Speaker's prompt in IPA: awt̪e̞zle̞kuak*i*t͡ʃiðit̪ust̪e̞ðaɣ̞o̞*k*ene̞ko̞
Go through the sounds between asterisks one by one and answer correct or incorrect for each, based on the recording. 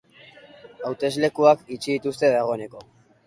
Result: correct, incorrect

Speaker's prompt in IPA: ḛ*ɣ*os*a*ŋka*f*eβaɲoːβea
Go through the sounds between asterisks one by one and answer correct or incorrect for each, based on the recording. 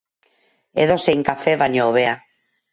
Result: incorrect, incorrect, correct

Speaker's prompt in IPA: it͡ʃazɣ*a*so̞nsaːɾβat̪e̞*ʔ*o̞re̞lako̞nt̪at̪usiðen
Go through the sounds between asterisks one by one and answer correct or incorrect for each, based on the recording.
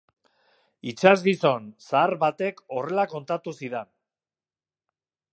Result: incorrect, incorrect

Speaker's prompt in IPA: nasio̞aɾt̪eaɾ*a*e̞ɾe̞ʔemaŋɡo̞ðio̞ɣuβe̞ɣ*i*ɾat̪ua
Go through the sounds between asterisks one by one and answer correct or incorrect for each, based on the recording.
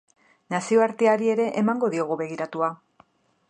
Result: incorrect, correct

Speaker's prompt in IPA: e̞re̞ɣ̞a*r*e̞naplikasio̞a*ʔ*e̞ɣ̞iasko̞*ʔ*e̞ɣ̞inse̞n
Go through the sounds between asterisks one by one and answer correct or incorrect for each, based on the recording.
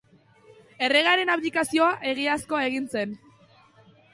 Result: incorrect, correct, incorrect

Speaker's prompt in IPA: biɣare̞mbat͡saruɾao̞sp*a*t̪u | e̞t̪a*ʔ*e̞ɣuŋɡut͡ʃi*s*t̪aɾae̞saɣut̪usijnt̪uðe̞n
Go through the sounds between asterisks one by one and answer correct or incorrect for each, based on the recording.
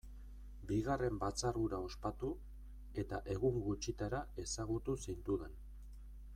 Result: correct, correct, incorrect

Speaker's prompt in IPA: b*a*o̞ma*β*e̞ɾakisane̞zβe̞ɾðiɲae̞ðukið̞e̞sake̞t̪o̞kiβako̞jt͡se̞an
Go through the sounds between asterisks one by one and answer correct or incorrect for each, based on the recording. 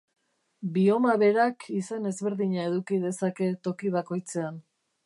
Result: incorrect, correct

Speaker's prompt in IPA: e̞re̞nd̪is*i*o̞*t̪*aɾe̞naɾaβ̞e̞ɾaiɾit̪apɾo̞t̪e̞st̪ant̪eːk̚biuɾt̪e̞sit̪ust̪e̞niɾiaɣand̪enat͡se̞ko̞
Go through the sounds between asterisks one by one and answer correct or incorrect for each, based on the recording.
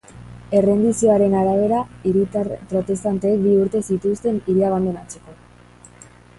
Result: correct, incorrect

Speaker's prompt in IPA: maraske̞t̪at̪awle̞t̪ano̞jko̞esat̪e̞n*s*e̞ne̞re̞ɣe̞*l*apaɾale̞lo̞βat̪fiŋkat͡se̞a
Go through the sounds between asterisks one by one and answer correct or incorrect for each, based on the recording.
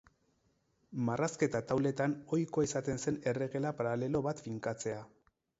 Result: correct, correct

